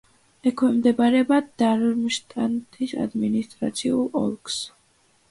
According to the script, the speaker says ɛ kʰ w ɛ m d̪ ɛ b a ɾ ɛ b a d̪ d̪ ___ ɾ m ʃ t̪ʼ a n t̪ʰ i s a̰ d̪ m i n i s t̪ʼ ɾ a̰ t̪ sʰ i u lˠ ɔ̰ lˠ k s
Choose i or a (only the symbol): a